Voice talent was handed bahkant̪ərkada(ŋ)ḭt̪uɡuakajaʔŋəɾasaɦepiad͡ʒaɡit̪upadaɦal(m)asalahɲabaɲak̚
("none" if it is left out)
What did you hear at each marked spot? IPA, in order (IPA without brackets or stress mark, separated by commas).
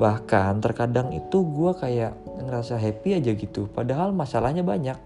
ŋ, m